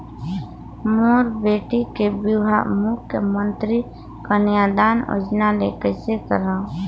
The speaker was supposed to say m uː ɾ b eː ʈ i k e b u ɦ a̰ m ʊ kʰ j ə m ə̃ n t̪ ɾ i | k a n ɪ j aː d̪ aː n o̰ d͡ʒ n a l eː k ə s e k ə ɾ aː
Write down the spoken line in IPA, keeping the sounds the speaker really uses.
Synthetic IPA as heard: m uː ɾ b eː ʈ i k e b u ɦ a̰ m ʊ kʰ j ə m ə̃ n t̪ ɾ i | k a n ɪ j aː d̪ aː n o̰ d͡ʒ n a l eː k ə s e k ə ɾ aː